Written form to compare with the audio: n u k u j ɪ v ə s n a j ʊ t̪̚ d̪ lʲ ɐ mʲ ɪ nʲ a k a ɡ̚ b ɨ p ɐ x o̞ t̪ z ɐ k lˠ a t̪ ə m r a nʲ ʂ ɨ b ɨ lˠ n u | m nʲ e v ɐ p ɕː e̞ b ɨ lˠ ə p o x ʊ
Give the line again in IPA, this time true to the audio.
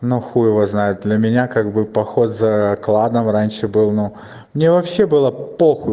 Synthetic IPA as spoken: n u x u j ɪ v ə z n a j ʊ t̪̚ d̪ lʲ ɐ mʲ ɪ nʲ a k a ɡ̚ b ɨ p ɐ x o̞ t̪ z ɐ k lˠ a d̪ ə m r a nʲ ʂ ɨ b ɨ lˠ n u | m nʲ e v ɐ p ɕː e̞ b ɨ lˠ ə p o x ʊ